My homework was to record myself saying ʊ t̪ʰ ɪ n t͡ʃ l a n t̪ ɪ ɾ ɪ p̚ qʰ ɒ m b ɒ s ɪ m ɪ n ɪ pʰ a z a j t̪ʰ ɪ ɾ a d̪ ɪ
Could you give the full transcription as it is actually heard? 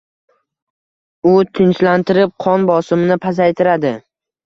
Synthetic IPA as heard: ʊ t̪ʰ ɪ n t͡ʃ l a n t̪ ɪ ɾ ɪ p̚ qʰ ɒ n b ɒ s ɪ m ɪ n ɪ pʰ a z a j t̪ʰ ɪ ɾ a d̪ ɪ